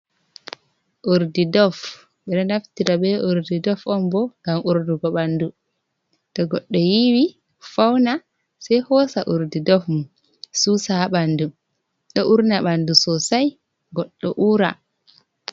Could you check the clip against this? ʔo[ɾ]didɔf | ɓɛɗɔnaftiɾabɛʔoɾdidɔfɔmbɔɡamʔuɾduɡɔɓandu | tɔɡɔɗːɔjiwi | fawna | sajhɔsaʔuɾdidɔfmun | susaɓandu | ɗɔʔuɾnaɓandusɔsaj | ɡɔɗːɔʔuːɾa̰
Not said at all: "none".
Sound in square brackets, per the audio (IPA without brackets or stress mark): ɾ